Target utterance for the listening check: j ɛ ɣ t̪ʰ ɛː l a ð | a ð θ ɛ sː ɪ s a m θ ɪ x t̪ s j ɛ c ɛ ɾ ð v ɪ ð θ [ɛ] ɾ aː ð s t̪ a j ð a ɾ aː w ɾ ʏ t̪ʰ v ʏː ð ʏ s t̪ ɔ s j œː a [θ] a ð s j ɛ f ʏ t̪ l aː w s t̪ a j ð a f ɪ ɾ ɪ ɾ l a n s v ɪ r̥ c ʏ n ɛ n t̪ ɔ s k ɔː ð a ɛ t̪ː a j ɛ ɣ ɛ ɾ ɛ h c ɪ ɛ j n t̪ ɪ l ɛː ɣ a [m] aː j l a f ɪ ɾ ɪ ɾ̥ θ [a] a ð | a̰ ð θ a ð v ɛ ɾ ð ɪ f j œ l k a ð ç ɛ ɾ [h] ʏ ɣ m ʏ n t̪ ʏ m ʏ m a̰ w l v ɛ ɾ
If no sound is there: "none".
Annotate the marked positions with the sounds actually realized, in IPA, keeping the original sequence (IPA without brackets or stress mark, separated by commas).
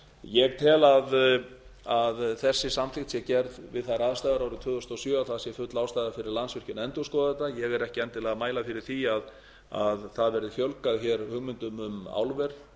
a, θ, m, i, h